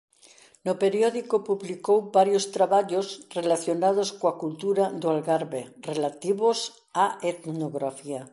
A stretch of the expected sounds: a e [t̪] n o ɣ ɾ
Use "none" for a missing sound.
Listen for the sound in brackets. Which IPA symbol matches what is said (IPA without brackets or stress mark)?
t̪